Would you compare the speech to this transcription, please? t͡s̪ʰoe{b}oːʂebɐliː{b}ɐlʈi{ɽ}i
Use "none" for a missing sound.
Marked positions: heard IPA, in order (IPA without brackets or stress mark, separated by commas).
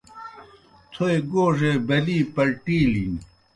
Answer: ɡ, p, l